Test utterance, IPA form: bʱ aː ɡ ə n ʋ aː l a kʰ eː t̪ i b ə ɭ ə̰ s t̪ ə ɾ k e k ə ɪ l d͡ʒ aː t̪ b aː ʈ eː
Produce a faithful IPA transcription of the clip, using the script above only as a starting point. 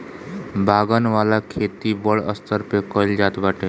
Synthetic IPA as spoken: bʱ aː ɡ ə n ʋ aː l a kʰ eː t̪ i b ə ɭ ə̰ s t̪ ə ɾ p e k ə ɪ l d͡ʒ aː t̪ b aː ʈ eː